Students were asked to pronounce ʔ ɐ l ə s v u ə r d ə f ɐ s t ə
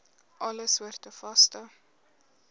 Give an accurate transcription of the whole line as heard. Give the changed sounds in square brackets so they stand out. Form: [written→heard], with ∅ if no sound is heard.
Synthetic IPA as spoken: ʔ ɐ l ə s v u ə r [d→t] ə f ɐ s t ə